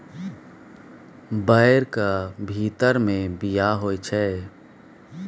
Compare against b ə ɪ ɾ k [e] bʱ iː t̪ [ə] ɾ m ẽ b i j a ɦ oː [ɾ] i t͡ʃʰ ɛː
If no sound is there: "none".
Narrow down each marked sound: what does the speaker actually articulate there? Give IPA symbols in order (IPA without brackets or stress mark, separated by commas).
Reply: a, ə, none